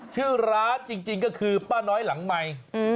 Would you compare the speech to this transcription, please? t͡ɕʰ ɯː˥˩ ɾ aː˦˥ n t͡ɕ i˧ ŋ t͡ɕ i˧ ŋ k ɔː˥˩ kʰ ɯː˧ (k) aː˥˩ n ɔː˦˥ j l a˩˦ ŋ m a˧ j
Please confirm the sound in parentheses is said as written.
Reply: no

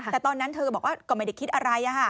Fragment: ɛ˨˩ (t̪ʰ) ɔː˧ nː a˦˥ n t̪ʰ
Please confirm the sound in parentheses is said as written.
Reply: no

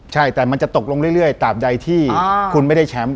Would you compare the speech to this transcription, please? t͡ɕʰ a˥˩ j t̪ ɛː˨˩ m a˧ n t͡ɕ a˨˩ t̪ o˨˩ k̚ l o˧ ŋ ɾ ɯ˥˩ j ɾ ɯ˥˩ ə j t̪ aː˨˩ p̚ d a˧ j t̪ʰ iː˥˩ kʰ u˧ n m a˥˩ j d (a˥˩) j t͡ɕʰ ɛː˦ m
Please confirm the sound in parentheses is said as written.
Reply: yes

